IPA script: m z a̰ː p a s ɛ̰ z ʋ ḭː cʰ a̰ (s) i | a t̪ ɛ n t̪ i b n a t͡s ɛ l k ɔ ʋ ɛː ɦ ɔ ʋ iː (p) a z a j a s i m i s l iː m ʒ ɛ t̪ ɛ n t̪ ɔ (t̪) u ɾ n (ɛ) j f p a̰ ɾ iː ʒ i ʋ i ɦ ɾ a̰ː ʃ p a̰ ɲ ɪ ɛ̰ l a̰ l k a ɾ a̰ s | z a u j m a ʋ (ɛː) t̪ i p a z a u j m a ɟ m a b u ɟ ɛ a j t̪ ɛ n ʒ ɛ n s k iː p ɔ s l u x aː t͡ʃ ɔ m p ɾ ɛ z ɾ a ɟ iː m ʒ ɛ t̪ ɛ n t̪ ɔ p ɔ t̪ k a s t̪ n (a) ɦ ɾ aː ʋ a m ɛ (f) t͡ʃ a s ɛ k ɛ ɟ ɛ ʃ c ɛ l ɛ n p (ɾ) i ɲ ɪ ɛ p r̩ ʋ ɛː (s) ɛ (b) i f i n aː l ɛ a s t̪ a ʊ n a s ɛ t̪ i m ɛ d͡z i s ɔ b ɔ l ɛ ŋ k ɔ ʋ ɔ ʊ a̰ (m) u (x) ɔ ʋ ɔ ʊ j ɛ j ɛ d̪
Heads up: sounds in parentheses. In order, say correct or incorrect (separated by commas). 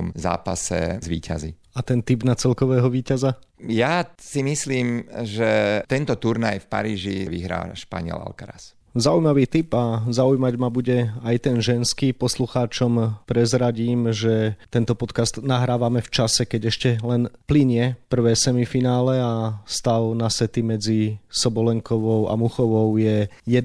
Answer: incorrect, incorrect, correct, incorrect, incorrect, correct, correct, incorrect, correct, incorrect, correct, correct